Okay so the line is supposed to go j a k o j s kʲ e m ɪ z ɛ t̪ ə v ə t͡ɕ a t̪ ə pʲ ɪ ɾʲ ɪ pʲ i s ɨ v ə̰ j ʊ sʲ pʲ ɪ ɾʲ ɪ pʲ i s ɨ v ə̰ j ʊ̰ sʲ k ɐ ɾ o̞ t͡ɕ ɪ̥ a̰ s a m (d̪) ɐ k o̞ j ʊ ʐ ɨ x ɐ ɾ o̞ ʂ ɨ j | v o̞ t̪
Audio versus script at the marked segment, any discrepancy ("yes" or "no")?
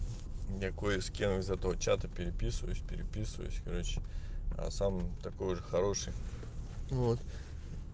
yes